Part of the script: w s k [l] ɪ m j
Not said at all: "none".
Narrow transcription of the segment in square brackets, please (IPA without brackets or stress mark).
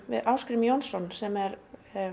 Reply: ɾ